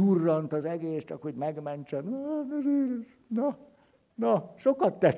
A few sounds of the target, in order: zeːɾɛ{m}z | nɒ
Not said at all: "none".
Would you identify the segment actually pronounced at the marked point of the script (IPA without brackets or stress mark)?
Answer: none